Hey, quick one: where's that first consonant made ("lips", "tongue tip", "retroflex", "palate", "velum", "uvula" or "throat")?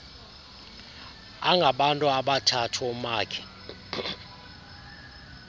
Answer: velum